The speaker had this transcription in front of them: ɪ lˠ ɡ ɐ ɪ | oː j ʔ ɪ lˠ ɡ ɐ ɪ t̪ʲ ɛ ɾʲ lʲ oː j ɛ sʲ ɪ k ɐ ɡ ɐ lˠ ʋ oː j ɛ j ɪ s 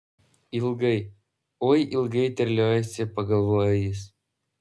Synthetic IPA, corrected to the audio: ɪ lˠ ɡ ɐ ɪ | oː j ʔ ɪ lˠ ɡ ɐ ɪ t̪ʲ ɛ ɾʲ lʲ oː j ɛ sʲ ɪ p ɐ ɡ ɐ lˠ ʋ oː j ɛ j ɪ s